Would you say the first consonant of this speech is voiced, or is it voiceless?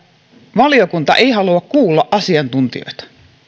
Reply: voiced